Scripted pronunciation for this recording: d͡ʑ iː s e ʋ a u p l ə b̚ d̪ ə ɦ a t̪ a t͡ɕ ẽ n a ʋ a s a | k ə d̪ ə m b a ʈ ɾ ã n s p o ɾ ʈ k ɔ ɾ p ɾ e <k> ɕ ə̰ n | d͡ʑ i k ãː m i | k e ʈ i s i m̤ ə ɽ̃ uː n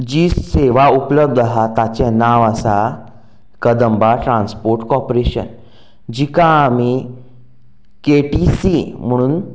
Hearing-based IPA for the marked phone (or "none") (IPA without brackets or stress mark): none